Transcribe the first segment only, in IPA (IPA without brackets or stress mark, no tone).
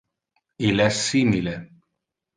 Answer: i